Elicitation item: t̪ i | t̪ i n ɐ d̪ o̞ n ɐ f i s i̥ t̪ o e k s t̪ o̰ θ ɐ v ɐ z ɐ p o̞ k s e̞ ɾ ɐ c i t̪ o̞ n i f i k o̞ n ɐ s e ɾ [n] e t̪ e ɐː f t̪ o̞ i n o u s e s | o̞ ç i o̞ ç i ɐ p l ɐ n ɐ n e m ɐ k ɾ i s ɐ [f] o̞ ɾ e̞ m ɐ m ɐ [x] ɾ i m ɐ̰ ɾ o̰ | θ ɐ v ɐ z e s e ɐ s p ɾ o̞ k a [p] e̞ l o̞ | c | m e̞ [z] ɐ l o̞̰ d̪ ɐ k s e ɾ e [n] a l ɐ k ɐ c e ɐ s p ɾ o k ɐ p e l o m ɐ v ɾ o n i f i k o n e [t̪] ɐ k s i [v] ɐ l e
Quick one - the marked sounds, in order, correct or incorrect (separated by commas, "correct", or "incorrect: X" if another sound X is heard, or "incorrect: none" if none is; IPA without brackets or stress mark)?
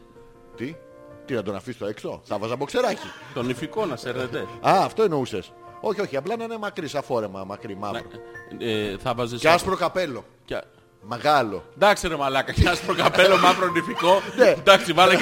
correct, correct, incorrect: k, correct, incorrect: ɣ, incorrect: m, incorrect: d̪, correct